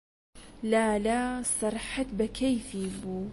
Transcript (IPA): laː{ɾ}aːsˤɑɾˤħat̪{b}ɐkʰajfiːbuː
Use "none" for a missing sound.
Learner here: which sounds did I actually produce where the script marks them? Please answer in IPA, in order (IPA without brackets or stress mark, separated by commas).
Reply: l, b